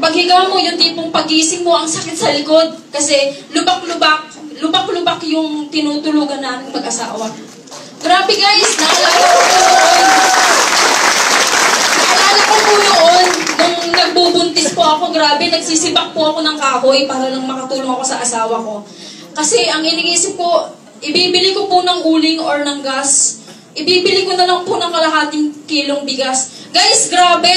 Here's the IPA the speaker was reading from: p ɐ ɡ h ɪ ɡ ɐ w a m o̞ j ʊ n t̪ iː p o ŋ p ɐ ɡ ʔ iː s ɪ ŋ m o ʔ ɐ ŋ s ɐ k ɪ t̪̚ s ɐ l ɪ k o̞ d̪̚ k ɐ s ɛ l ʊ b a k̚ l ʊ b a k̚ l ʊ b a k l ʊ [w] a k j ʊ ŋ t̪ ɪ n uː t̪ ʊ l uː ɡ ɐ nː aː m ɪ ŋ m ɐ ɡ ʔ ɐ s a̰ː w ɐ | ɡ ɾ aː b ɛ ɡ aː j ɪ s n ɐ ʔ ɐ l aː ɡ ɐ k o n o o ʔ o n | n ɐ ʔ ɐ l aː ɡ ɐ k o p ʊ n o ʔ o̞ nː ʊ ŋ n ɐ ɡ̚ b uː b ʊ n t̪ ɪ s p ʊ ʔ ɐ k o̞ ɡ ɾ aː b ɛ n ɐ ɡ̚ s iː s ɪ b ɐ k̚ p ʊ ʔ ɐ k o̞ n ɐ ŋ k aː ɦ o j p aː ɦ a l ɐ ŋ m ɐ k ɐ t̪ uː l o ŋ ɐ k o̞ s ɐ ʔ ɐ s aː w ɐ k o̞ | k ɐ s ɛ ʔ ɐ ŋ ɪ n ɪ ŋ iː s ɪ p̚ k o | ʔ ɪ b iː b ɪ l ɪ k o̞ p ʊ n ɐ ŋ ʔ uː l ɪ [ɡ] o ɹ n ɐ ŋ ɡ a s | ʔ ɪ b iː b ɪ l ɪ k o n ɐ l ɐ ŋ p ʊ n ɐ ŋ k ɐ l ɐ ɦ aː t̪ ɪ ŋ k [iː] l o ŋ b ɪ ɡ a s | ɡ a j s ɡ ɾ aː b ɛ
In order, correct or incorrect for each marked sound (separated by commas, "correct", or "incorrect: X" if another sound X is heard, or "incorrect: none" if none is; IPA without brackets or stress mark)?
incorrect: b, incorrect: ŋ, correct